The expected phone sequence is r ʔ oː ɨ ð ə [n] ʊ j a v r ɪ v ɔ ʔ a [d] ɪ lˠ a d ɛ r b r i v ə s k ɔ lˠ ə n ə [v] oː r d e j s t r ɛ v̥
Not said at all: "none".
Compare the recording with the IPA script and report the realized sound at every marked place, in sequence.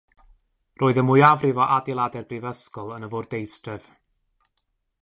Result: m, d, v

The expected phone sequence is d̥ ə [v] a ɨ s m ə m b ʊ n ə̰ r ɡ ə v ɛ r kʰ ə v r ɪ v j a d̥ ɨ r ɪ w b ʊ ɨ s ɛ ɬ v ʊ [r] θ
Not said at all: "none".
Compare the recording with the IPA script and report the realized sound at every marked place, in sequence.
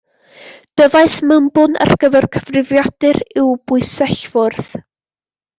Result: v, r

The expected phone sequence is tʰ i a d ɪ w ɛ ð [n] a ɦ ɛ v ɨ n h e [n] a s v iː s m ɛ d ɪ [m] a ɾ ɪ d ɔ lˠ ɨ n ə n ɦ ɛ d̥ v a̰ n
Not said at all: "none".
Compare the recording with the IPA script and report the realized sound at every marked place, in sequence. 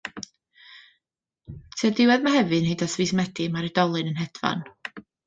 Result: m, d, m

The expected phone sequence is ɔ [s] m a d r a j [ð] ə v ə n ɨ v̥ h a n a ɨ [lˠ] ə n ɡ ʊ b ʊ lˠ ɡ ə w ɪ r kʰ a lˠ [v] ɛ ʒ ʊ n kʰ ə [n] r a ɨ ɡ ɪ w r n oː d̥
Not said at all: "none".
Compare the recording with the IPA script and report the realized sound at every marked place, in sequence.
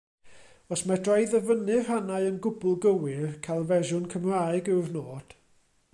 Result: s, ð, none, v, m

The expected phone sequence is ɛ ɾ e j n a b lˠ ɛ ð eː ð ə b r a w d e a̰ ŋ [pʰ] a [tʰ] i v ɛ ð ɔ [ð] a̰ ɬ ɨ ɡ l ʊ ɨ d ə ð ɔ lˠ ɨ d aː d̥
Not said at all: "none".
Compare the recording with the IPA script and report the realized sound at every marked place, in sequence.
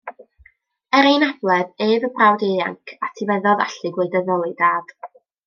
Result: kʰ, tʰ, ð

